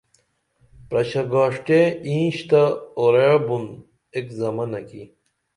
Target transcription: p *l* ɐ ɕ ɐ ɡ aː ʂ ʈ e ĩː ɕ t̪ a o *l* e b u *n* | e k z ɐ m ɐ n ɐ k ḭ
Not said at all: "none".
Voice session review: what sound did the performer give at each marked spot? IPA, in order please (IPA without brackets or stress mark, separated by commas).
ɾ, ɾ, n